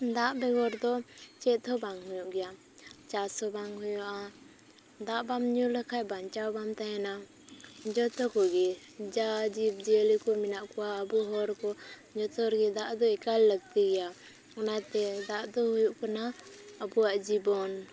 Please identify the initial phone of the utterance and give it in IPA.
d̪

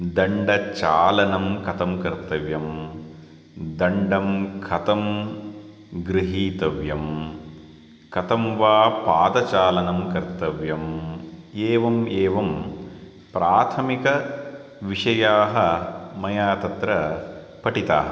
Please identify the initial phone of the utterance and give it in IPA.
d̪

